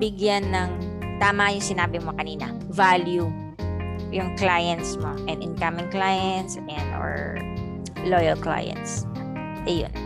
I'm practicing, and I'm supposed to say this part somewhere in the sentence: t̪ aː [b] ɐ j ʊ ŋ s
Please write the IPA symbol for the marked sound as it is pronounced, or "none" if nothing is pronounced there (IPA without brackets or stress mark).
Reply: m